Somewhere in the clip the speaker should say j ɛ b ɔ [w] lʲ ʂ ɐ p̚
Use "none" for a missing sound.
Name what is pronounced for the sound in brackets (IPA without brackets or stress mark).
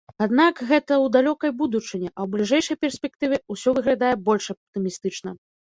none